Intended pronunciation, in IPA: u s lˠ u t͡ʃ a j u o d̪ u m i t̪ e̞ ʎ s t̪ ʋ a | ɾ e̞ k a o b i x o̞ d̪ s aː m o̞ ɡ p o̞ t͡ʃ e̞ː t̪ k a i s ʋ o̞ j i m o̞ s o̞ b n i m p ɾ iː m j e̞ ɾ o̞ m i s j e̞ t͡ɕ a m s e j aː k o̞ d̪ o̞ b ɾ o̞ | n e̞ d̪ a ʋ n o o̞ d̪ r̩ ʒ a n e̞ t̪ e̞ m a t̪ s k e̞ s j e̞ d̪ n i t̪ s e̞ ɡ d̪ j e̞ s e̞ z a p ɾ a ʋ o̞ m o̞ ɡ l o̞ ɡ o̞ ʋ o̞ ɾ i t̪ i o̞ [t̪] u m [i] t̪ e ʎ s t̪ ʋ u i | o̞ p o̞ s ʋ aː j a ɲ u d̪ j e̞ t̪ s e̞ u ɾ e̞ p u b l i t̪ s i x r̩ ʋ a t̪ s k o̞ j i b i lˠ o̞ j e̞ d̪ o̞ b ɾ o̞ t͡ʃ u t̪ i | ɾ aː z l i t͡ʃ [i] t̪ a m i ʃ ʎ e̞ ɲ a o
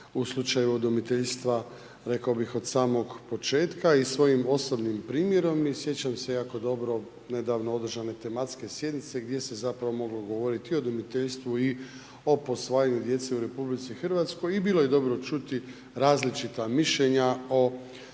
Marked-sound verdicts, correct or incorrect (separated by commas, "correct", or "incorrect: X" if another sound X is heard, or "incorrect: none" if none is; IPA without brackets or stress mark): incorrect: d̪, correct, correct